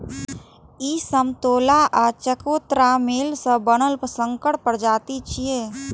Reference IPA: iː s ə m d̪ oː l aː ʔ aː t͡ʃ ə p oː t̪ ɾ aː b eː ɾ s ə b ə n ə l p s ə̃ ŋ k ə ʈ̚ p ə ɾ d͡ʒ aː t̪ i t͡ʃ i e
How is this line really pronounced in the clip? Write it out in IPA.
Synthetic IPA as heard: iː s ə m t̪ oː l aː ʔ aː t͡ʃ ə k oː t̪ ɾ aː m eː l s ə b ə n ə l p s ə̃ ŋ k ə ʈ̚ p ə ɾ d͡ʒ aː t̪ i t͡ʃ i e